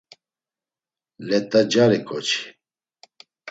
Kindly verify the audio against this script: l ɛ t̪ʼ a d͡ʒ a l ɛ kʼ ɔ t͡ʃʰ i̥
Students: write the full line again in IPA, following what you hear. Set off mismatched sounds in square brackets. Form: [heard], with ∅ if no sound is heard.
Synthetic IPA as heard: l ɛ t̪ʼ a d͡ʒ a [ɾ] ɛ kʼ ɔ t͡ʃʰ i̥